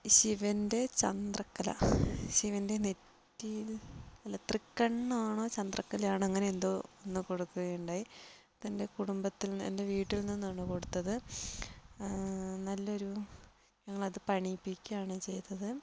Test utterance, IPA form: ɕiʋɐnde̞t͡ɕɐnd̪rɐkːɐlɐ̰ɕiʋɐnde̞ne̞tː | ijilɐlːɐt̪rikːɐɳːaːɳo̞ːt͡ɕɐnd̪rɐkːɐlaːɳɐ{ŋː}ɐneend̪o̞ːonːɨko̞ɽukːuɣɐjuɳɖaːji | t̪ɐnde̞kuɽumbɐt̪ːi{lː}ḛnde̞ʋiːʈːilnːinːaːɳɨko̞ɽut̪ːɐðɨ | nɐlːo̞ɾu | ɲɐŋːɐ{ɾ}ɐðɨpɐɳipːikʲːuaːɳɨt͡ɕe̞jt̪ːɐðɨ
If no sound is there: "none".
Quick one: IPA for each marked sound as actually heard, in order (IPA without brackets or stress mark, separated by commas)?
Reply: ŋː, l, ɭ